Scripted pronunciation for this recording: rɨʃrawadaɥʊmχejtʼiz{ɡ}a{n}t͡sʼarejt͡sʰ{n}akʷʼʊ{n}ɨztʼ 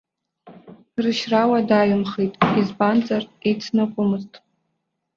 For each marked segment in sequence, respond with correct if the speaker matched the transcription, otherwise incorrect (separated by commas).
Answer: incorrect, correct, correct, incorrect